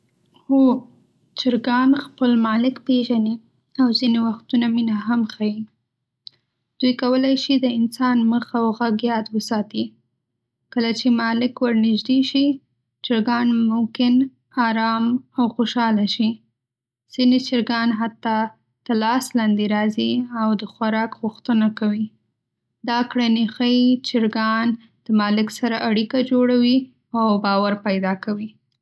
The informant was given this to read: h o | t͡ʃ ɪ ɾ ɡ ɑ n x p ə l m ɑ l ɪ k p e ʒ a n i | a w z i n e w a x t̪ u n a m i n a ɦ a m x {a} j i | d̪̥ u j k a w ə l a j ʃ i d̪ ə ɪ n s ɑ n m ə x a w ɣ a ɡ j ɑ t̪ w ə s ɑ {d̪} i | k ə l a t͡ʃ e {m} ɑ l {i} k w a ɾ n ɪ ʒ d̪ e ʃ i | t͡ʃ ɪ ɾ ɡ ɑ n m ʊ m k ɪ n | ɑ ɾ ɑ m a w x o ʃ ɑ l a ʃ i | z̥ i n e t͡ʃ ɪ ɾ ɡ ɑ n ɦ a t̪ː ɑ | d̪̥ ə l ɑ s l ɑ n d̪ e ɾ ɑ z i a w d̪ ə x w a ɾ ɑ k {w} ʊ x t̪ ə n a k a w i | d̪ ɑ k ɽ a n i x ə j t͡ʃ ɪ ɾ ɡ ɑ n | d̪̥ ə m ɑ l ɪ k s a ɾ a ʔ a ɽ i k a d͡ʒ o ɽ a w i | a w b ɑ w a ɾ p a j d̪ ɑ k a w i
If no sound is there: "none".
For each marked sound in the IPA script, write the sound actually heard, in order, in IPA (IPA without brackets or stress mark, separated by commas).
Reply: a, t̪, m, ɪ, ɣ